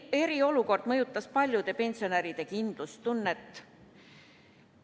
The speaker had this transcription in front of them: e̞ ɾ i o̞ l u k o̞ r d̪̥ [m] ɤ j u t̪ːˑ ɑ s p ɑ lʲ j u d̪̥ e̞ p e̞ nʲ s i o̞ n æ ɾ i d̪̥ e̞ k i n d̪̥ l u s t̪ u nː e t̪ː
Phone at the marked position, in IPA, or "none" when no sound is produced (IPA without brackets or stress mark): m